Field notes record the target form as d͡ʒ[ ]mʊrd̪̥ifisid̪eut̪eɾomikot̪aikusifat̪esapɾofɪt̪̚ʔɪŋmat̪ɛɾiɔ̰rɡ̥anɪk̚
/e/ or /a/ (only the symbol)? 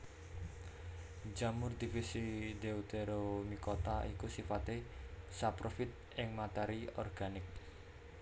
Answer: a